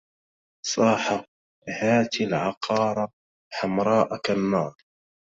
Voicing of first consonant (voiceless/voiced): voiceless